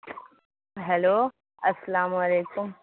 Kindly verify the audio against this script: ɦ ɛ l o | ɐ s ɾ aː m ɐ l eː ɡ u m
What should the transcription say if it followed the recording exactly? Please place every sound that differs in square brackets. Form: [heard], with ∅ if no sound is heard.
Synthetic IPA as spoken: ɦ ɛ l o | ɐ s [l] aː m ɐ l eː [k] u m